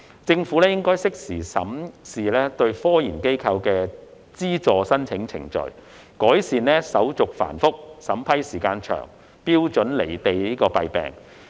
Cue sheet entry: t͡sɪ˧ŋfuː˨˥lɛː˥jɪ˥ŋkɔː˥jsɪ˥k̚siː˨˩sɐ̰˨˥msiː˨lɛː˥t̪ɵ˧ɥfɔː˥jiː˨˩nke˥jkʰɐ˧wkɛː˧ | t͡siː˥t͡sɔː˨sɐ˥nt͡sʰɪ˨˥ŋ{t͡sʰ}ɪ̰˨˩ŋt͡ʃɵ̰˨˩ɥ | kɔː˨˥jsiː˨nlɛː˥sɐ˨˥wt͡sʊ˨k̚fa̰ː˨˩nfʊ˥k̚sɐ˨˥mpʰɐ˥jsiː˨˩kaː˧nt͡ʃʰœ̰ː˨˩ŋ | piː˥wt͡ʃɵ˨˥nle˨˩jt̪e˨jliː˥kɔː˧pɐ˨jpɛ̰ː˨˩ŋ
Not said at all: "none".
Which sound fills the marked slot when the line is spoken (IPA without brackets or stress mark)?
t͡sʰ